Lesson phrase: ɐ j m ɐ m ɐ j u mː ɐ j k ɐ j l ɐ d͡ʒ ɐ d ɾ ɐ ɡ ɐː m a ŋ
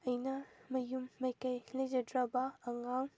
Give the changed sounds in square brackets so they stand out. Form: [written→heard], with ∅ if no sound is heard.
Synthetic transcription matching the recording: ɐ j [m→n] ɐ m ɐ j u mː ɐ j k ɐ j l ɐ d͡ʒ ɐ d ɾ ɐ [ɡ→b] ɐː [m→ŋ] a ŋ